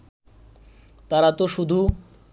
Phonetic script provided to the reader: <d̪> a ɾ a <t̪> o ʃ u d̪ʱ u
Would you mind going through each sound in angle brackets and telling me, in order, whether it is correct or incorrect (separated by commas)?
incorrect, correct